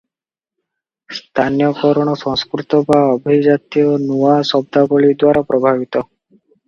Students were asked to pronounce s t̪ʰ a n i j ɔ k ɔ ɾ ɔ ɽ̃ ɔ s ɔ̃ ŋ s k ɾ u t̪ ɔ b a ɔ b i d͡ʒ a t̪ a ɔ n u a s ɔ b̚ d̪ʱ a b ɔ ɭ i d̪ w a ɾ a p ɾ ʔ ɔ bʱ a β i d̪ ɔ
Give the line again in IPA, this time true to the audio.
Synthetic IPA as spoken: s t̪ʰ a n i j ɔ k ɔ ɾ ɔ ɽ̃ ɔ s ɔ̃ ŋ s k ɾ u t̪ ɔ b a ɔ b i d͡ʒ a t̪ i ɔ n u a s ɔ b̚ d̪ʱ a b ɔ ɭ i d̪ w a ɾ a p ɾ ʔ ɔ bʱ a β i t̪ ɔ